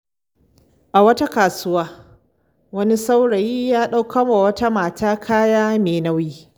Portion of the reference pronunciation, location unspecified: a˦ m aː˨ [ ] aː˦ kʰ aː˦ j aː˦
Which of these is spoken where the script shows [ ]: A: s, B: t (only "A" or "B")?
B